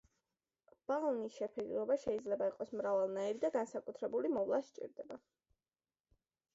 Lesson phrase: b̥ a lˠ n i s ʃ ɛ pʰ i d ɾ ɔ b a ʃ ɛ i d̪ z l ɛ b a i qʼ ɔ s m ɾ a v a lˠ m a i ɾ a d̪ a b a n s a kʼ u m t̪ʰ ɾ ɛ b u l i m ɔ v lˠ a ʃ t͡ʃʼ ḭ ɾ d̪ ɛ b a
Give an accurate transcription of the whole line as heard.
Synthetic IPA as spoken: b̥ a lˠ n i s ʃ ɛ pʰ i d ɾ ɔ b a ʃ ɛ i d̪ z l ɛ b a i qʼ ɔ s m ɾ a v a lˠ n a i ɾ i d̪ a ɡ a n s a kʼ u t̪ʰ ɾ ɛ b u l i m ɔ v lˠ a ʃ t͡ʃʼ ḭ ɾ d̪ ɛ b a